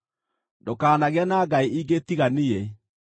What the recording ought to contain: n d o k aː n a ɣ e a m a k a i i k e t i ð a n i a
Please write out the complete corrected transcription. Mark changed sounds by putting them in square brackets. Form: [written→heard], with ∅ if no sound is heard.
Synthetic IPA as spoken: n d o k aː n a ɣ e a [m→n] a [k→ɡ] a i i [k→ɡ] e t i [ð→ɣ] a n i [a→e]